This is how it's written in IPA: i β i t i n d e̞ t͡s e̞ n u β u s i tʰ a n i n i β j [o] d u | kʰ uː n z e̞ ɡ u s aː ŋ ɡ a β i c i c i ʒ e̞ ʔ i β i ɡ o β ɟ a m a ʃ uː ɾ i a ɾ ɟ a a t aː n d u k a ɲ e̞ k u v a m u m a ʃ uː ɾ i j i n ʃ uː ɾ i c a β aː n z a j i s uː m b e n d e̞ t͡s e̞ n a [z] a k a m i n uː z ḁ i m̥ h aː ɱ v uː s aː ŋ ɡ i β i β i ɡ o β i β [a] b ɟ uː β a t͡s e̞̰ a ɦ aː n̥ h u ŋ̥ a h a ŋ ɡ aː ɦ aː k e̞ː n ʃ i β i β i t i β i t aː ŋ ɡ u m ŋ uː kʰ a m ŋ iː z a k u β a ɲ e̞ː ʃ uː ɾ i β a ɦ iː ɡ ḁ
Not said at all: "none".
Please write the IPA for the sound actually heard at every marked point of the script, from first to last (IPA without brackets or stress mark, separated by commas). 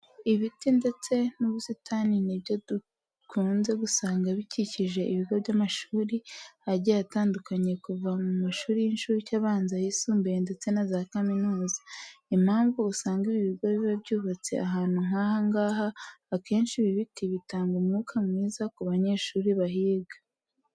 o, z, a